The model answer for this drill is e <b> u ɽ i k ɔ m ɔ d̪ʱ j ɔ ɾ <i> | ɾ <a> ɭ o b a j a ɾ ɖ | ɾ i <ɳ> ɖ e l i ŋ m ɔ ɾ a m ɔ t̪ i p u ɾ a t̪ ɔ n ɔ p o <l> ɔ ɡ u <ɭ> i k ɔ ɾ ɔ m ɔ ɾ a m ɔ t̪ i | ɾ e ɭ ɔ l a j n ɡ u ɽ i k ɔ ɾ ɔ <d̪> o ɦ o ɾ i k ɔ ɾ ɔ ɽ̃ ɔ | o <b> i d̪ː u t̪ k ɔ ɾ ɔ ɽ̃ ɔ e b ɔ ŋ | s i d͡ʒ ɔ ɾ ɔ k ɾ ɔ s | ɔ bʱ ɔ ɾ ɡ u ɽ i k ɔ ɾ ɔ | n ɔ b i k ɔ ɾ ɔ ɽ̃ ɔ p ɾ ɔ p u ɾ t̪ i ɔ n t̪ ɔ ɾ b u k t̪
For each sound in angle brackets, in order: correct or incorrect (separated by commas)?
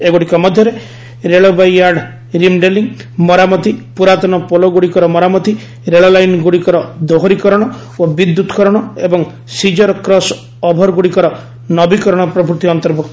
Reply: incorrect, incorrect, incorrect, incorrect, correct, incorrect, correct, correct